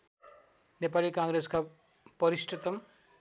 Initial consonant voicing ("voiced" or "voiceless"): voiced